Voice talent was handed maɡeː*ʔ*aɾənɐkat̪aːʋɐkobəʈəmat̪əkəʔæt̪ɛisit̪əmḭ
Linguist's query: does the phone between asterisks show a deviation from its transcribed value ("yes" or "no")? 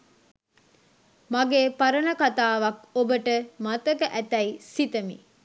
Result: yes